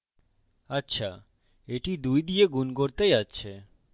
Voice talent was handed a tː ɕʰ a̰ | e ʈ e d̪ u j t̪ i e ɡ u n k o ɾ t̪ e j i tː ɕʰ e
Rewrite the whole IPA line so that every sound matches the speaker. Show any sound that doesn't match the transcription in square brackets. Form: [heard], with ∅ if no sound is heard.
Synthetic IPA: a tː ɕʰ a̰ | e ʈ [i] d̪ u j [d̪] i e ɡ u n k o ɾ t̪ e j [a] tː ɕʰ e